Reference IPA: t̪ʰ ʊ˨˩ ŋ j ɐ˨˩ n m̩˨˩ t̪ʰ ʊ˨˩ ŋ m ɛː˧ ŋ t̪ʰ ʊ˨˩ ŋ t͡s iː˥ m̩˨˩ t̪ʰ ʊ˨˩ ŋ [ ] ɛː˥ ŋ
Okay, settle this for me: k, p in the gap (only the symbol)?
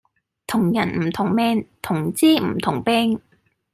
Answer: p